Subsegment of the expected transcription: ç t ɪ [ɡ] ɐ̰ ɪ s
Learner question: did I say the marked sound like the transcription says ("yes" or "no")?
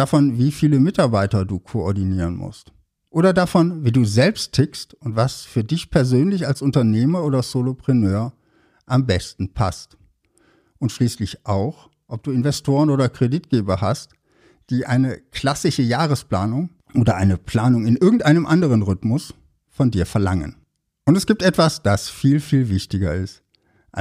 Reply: yes